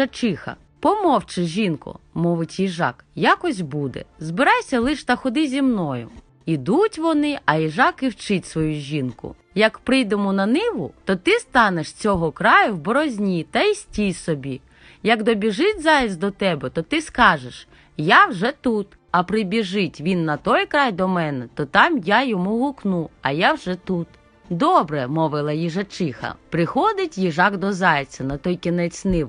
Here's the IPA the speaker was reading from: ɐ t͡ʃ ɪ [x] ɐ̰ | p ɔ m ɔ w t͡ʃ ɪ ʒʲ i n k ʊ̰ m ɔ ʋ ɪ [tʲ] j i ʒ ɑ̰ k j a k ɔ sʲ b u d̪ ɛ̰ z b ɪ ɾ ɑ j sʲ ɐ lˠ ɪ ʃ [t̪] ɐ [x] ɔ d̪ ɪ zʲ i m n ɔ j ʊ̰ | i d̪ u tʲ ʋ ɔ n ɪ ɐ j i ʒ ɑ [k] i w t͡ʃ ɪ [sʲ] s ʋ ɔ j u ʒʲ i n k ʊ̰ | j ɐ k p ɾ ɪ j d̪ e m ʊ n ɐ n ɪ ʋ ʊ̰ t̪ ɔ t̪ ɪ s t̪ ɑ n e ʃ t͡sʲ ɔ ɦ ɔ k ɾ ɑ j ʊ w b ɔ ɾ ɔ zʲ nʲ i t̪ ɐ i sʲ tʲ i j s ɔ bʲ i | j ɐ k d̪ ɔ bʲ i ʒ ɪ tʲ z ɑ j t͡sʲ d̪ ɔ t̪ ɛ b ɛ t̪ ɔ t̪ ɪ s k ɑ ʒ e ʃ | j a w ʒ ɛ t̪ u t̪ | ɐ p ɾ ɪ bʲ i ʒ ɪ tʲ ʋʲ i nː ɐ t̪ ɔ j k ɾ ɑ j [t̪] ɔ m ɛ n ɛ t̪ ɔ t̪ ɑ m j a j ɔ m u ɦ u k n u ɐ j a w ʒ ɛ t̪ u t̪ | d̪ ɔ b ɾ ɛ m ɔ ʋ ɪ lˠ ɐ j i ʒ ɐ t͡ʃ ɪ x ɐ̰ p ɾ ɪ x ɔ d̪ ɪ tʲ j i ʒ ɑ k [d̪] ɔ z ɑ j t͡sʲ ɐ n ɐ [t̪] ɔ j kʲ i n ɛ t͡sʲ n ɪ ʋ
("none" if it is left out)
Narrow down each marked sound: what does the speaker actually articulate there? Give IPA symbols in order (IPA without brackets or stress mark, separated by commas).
x, tʲ, t̪, x, k, tʲ, d̪, d̪, t̪